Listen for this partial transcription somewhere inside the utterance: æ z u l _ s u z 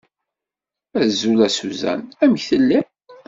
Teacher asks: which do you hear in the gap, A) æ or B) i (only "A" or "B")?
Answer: A